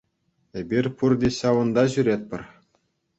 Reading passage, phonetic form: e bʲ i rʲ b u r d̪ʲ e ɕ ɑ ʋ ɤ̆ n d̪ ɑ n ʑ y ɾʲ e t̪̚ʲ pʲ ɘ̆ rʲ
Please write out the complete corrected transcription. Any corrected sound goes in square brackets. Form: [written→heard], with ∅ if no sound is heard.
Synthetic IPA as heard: e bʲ i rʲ [b→p] u r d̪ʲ e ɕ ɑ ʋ ɤ̆ n d̪ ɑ [n→∅] ʑ y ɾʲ e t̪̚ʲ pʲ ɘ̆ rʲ